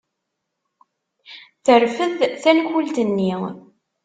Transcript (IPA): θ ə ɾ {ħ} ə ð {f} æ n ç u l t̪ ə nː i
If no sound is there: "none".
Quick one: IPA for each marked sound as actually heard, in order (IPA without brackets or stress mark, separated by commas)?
f, θ